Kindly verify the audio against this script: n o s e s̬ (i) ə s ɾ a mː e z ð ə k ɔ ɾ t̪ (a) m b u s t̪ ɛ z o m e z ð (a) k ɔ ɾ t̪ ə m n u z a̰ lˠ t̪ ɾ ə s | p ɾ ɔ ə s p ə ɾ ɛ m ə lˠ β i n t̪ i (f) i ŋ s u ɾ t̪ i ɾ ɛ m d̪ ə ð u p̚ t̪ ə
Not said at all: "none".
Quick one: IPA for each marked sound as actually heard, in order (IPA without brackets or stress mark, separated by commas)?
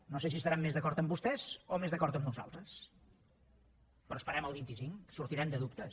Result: i, ə, ə, s